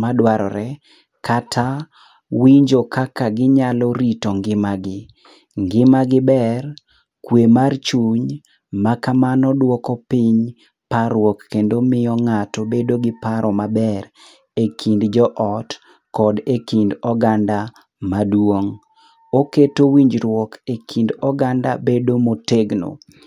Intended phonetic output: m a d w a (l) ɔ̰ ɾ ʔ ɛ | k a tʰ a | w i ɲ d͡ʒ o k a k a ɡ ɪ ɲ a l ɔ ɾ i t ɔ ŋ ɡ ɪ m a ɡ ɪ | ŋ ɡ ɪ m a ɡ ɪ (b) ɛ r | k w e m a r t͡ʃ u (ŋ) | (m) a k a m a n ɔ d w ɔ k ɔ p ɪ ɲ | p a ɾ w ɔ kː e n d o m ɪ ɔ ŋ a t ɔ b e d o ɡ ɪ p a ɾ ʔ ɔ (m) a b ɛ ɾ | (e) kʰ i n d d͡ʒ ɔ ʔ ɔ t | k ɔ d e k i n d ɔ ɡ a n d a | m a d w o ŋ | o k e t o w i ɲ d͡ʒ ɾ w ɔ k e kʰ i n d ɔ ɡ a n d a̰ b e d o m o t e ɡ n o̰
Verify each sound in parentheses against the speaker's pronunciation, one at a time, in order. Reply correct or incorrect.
incorrect, correct, incorrect, correct, correct, correct

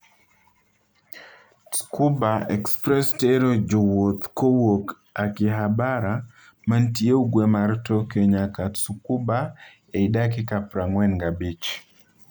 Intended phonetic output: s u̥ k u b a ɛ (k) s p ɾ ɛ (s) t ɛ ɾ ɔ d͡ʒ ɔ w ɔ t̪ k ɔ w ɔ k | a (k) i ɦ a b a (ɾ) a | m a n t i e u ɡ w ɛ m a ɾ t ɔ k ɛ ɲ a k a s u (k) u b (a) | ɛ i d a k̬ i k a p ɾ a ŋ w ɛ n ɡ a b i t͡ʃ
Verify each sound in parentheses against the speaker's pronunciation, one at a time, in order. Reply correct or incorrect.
correct, correct, correct, correct, correct, correct

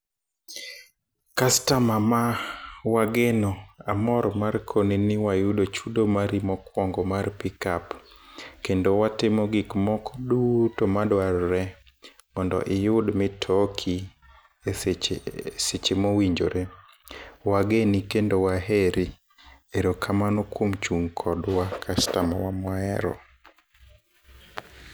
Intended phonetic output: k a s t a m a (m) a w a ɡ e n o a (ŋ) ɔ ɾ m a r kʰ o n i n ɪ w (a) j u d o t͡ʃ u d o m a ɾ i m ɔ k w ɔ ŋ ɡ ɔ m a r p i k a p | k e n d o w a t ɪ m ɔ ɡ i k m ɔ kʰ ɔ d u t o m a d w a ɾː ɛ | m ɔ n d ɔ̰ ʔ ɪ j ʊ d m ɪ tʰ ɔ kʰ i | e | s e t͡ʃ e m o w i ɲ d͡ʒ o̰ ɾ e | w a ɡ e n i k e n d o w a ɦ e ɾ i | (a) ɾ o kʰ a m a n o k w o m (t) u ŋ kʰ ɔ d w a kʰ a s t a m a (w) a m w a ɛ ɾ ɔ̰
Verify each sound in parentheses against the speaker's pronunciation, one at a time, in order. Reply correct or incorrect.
correct, incorrect, correct, incorrect, incorrect, correct

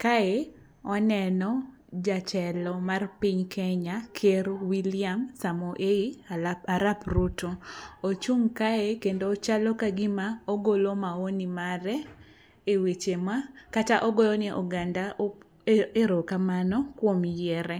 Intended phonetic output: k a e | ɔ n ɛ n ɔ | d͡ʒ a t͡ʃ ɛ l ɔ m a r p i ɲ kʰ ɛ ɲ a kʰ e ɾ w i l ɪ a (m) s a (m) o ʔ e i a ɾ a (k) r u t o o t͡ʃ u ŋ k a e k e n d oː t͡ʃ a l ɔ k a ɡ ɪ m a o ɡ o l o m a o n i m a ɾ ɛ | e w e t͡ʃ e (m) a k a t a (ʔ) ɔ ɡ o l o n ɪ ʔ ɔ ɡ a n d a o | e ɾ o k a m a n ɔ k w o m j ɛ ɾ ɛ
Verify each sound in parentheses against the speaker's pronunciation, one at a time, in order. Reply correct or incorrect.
correct, correct, incorrect, correct, correct

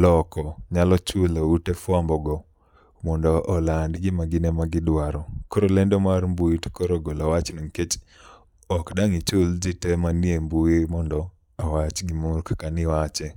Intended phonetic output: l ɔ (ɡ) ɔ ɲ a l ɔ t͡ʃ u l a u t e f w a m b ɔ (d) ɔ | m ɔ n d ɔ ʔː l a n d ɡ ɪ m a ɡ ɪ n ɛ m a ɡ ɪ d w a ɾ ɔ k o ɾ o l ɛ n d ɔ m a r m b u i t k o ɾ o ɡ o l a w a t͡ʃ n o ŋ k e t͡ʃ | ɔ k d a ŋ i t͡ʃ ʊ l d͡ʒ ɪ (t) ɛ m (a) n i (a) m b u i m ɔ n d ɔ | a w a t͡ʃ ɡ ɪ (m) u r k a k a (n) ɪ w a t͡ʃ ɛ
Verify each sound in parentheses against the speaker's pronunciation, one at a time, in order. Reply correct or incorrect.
incorrect, incorrect, correct, correct, incorrect, correct, correct

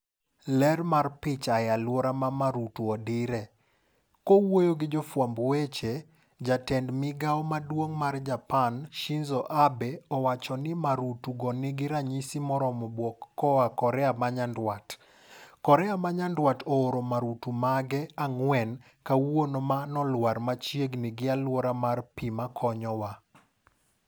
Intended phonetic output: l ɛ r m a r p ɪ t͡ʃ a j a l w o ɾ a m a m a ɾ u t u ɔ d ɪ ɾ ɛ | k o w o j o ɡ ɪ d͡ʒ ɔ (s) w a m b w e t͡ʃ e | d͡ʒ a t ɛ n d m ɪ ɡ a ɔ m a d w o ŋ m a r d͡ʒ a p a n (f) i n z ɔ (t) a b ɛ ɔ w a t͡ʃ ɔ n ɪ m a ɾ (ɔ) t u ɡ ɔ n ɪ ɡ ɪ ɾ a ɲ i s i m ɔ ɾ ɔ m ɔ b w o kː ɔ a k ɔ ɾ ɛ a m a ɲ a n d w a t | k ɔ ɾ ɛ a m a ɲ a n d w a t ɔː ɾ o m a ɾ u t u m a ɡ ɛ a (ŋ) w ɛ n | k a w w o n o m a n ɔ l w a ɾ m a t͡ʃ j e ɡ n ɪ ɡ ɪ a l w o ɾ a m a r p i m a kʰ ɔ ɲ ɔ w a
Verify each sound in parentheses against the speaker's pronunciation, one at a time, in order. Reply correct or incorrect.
incorrect, incorrect, incorrect, incorrect, correct

